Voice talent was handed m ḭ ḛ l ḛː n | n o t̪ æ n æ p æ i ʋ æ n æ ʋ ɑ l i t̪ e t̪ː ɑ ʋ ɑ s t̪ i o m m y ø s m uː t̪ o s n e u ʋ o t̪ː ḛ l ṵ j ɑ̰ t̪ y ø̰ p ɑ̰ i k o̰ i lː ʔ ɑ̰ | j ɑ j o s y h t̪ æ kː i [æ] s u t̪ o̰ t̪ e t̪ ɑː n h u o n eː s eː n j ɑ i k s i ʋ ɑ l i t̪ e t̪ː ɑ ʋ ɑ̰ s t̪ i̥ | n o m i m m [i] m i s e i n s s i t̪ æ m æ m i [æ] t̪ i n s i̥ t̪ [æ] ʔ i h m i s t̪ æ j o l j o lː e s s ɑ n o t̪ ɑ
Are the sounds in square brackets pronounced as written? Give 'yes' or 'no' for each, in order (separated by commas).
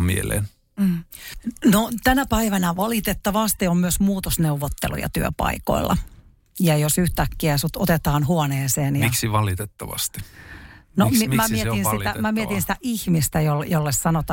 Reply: yes, no, no, yes